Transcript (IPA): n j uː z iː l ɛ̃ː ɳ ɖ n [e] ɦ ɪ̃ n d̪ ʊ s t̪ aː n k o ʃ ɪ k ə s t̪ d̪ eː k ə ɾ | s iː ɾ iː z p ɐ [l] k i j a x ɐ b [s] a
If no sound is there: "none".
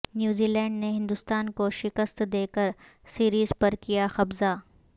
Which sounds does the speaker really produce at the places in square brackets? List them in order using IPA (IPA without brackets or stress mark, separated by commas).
e, ɾ, z